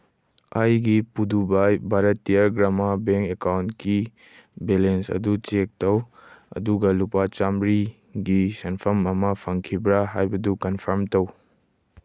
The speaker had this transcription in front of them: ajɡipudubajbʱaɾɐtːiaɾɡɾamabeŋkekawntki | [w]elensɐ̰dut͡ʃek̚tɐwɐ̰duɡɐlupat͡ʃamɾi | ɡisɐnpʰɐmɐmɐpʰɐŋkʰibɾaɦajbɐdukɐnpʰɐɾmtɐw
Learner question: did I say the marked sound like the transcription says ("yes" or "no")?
no